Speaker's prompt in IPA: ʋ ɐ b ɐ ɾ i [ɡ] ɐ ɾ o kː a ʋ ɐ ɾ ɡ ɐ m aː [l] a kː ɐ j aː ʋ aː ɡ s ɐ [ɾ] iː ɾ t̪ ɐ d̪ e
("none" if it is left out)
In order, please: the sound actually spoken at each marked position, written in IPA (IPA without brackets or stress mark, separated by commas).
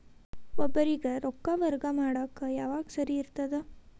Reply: ɡ, ɽ, ɾ